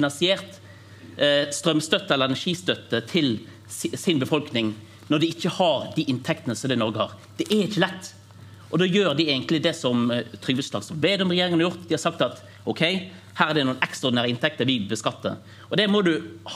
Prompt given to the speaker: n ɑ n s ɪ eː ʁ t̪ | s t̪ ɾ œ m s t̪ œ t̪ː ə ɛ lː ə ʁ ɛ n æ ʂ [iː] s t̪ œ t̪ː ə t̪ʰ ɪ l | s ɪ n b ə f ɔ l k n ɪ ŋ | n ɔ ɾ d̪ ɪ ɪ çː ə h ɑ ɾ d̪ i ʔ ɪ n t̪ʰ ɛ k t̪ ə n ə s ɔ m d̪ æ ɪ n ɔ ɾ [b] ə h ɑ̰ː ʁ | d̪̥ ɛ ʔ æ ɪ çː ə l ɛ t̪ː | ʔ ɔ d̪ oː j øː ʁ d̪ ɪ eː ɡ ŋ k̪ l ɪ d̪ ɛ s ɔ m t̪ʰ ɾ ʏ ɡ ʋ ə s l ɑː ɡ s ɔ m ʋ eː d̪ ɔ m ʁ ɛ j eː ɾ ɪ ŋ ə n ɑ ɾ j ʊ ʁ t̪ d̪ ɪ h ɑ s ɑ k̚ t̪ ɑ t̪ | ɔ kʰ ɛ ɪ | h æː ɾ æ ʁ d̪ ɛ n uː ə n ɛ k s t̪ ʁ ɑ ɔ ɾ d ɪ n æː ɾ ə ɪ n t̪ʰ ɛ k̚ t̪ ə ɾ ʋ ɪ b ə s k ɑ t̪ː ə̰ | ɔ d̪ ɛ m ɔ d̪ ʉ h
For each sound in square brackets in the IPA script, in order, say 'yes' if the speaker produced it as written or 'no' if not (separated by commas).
yes, no